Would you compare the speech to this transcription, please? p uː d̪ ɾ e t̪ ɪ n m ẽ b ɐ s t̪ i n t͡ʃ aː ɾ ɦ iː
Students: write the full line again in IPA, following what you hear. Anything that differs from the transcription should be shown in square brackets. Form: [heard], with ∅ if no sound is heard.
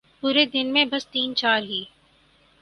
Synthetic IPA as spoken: p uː [∅] ɾ e [d̪] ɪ n m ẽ b ɐ s t̪ [iː] n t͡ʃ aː ɾ ɦ iː